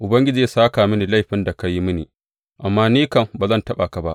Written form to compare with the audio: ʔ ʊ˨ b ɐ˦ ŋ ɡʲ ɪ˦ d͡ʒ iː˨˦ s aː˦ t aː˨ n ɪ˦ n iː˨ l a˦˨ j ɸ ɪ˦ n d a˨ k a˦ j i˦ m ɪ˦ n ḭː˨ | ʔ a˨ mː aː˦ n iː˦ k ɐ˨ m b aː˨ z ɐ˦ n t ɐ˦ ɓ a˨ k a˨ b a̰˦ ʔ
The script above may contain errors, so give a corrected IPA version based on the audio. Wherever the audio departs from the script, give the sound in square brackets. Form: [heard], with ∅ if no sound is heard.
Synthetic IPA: ʔ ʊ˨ b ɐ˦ ŋ ɡʲ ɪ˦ d͡ʒ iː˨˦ s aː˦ [k] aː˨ [m] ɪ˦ n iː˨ l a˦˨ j ɸ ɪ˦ n d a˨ k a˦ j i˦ m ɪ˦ n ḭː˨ | ʔ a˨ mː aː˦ n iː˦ k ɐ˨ m b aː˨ z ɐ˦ n t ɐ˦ ɓ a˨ k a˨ b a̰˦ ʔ